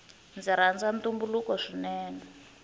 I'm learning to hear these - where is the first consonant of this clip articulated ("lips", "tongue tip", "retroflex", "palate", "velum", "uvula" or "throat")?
tongue tip